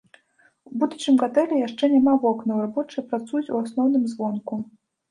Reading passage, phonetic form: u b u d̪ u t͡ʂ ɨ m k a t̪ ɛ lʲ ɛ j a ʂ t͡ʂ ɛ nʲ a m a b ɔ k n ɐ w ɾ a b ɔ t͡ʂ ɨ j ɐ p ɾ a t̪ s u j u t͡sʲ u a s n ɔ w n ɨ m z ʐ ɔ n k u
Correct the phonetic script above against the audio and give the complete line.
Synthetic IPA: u b u d̪ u t͡ʂ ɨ m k a t̪ ɛ lʲ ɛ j a ʂ t͡ʂ ɛ nʲ a m a v ɔ k n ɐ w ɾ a b ɔ t͡ʂ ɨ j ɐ p ɾ a t̪ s u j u t͡sʲ u a s n ɔ w n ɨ m z v ɔ n k u

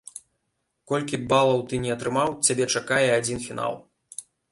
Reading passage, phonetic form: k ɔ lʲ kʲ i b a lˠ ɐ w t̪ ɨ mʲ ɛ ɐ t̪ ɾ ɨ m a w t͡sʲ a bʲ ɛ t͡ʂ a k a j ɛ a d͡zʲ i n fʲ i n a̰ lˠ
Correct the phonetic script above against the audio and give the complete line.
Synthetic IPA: k ɔ lʲ kʲ i b a lˠ ɐ w t̪ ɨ nʲ ɛ ɐ t̪ ɾ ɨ m a w t͡sʲ a bʲ ɛ t͡ʂ a k a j ɛ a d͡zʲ i n fʲ i n a̰ lˠ

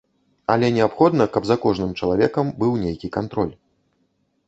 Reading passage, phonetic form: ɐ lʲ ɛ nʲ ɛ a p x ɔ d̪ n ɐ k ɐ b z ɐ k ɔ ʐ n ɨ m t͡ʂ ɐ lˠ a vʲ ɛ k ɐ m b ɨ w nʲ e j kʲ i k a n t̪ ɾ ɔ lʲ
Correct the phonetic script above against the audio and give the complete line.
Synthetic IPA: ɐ lʲ ɛ nʲ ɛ a p x ɔ d̪ n ɐ k ɐ b z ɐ k ɔ ʐ n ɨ m t͡ʂ ɐ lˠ a vʲ ɛ k ɐ m b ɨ w nʲ e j kʲ i k a n t̪ ɾ ɔ lʲ

